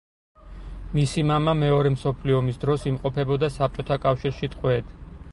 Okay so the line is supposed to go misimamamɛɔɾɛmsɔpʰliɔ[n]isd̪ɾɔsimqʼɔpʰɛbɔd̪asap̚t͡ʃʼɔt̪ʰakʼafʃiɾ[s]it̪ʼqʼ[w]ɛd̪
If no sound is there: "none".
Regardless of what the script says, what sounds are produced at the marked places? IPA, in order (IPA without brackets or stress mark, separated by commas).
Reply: m, ʃ, w